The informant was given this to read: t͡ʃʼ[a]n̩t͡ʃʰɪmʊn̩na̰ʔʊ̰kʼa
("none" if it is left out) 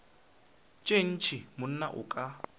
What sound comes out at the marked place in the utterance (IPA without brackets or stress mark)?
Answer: e